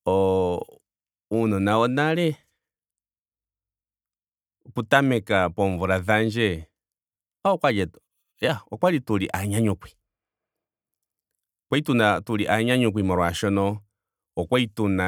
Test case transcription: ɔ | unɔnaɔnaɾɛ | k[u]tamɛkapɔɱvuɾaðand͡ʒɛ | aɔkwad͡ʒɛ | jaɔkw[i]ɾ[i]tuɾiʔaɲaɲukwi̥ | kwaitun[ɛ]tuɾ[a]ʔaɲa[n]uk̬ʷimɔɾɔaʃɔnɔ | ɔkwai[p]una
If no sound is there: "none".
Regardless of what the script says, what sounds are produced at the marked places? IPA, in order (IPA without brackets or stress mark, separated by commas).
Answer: u, a, i, a, i, ɲ, t